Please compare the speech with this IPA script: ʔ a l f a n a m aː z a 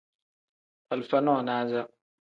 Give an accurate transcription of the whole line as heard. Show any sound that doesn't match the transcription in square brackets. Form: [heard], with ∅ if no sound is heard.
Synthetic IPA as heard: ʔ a l f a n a [n] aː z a